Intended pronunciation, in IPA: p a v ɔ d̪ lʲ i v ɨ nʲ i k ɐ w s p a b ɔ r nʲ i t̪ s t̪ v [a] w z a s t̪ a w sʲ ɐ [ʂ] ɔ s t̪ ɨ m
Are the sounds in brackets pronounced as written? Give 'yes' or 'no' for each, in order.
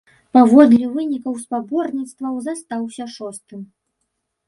no, yes

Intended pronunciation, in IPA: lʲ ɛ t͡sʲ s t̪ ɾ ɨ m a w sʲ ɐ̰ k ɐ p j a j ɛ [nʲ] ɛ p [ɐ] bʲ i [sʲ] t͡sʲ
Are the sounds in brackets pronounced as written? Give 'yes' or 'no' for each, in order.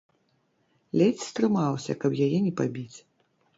yes, no, no

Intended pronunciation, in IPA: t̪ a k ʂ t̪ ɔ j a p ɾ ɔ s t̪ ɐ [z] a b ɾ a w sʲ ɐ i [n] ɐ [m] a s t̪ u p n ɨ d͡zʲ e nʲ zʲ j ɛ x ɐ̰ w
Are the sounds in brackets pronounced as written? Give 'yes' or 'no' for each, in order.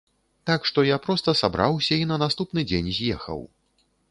no, yes, no

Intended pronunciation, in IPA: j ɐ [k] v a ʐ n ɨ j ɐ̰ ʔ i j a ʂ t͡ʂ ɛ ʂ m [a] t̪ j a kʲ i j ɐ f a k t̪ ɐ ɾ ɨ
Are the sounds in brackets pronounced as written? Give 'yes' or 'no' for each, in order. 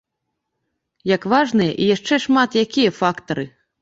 yes, yes

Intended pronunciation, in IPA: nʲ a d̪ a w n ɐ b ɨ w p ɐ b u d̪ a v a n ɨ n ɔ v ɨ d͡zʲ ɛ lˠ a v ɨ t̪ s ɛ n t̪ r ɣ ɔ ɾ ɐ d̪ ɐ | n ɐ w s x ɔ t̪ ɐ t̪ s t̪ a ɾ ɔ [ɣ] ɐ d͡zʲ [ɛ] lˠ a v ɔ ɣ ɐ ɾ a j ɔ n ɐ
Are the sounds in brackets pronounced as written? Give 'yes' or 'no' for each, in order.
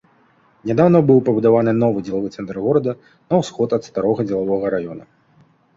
yes, yes

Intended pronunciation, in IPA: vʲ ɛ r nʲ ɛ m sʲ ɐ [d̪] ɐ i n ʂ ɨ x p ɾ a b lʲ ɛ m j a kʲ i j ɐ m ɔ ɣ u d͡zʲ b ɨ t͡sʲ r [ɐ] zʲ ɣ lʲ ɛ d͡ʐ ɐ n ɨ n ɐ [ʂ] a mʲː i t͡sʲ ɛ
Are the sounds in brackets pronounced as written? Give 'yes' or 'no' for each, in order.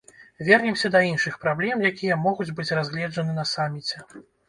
yes, no, no

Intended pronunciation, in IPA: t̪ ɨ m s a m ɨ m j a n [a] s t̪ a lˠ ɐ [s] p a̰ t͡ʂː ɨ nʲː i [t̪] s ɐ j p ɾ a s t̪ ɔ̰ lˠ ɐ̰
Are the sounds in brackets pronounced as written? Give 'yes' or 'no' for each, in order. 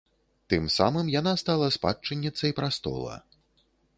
yes, yes, yes

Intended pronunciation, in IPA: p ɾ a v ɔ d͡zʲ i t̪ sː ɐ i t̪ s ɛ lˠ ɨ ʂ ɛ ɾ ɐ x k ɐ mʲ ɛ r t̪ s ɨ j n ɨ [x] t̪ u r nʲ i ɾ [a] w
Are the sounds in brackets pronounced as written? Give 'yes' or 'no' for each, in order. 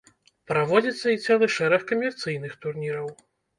yes, no

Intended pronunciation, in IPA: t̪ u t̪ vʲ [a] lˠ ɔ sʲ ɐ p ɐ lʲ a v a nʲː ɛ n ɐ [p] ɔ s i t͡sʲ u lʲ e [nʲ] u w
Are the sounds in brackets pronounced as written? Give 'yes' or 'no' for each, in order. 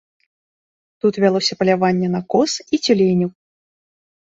yes, no, yes

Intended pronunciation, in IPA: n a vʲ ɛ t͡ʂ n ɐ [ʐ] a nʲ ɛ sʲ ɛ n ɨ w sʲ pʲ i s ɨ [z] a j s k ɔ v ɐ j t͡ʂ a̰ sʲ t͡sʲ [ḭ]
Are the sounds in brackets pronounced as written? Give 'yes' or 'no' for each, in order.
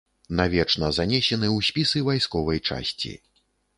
no, no, yes

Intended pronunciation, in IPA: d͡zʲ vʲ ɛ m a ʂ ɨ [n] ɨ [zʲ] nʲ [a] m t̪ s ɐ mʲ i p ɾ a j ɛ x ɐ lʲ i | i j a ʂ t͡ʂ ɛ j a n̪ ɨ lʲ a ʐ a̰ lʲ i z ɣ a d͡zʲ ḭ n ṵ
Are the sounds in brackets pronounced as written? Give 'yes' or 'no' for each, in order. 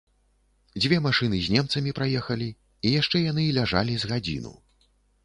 yes, yes, no

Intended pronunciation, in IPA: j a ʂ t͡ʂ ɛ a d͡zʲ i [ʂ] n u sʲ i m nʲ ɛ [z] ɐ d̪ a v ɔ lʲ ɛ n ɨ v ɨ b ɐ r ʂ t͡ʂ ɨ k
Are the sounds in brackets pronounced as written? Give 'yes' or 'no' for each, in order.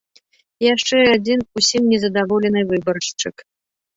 no, yes

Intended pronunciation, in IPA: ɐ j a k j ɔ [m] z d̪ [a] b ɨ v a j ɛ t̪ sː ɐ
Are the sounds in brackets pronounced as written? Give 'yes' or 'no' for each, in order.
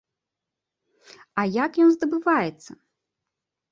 no, no

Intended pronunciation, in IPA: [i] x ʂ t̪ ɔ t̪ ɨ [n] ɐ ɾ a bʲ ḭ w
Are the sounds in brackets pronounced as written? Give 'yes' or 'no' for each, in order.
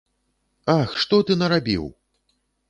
no, yes

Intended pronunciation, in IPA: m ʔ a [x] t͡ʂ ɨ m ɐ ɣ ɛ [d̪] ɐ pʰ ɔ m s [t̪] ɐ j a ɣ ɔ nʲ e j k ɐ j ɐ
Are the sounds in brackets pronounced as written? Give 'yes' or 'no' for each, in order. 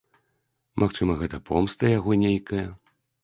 yes, no, yes

